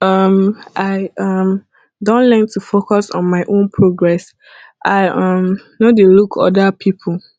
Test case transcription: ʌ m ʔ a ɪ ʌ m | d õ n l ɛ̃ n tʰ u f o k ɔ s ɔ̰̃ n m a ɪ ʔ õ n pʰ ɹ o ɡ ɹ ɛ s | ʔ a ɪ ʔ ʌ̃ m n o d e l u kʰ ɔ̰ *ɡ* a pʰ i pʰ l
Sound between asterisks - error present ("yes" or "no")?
yes